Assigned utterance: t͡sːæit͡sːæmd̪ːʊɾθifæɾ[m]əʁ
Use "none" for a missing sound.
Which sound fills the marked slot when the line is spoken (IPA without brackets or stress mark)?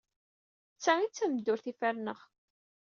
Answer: n